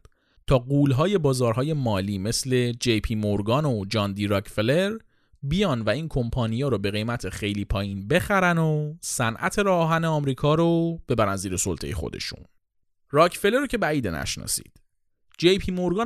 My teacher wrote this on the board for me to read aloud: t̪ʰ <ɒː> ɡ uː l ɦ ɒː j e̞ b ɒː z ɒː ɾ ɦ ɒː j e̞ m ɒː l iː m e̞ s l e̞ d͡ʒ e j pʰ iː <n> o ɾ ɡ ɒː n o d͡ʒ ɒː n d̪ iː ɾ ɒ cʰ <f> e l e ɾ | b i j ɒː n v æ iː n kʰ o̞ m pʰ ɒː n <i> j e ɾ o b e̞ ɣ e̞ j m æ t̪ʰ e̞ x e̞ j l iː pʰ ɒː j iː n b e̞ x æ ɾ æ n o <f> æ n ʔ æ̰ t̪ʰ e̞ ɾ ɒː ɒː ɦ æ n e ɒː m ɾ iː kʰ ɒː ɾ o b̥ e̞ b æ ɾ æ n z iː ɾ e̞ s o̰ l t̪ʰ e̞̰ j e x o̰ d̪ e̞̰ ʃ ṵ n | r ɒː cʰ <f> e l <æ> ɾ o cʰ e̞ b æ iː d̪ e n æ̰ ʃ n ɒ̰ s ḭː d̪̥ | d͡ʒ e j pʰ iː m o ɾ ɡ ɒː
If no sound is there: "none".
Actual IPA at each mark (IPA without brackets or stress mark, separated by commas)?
ɒː, m, f, i, s, f, e